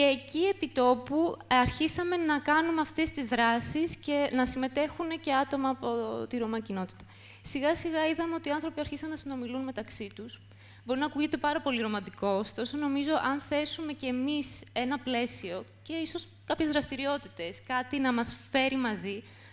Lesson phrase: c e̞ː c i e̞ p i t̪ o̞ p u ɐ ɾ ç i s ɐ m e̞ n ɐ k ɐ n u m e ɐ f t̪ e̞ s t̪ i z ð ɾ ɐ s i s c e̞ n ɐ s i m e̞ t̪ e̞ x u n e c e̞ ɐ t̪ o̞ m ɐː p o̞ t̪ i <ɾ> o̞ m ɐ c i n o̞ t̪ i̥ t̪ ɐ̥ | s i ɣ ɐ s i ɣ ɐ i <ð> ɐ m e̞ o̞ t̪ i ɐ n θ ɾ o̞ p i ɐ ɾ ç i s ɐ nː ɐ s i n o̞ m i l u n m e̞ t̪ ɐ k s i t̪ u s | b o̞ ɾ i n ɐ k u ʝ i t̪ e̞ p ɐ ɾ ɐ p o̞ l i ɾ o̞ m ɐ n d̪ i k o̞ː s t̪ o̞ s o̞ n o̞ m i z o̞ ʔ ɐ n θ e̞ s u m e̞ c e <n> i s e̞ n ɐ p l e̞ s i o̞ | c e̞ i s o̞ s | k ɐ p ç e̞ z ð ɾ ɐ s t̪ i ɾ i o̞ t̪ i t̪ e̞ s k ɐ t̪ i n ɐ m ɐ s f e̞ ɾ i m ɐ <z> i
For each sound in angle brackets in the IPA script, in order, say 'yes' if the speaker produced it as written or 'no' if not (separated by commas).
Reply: yes, yes, no, yes